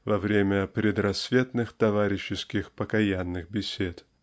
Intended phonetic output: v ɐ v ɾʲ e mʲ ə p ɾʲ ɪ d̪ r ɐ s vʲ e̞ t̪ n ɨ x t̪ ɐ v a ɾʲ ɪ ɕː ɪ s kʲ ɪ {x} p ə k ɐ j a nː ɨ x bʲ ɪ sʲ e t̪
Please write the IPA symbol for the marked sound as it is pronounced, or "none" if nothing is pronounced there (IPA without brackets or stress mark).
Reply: x